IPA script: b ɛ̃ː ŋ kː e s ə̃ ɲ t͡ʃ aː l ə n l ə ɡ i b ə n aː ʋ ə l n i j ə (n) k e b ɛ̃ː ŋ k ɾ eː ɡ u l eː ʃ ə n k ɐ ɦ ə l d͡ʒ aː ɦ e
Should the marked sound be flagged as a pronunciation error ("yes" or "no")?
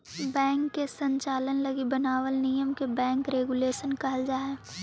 yes